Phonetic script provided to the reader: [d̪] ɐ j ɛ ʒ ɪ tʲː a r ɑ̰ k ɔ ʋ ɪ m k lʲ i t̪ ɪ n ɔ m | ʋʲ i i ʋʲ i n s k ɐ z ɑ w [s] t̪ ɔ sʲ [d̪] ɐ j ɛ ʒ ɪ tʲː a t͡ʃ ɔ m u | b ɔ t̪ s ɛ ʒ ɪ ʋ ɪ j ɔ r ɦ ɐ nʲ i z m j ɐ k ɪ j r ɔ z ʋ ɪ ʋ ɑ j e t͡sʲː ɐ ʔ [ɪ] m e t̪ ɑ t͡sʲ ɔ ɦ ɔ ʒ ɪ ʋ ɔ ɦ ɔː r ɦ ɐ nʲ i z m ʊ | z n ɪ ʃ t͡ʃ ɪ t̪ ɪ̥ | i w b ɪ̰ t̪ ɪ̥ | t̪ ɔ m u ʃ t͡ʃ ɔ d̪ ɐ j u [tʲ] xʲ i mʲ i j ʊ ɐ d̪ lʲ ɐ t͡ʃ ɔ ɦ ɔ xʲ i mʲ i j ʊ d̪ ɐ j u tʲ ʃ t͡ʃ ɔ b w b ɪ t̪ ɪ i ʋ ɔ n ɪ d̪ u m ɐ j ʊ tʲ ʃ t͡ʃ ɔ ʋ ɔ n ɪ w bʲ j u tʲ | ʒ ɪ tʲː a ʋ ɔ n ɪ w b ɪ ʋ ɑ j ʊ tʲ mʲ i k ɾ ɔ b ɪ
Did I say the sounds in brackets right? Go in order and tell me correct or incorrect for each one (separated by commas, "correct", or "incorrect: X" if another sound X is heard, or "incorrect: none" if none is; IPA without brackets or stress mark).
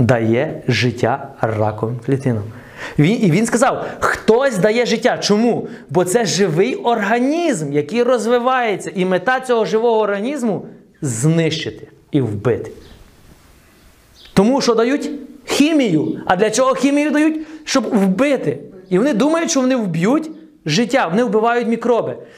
correct, incorrect: x, correct, incorrect: i, correct